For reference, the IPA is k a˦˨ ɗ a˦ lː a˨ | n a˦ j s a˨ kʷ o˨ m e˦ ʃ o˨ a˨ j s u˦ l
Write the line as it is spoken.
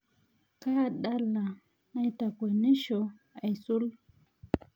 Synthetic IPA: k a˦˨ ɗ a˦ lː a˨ | n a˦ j t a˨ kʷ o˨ n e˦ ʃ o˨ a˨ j s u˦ l